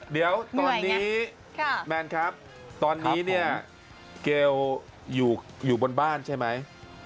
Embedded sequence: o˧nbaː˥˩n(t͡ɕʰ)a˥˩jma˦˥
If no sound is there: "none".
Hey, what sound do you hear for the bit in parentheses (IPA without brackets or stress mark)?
t͡ɕʰ